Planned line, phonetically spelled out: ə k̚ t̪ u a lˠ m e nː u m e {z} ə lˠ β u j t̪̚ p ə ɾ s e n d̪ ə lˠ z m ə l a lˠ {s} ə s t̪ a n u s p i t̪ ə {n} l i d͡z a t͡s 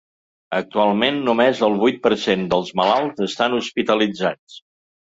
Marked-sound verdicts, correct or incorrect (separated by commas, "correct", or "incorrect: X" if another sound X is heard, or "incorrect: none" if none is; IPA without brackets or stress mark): correct, incorrect: z, incorrect: none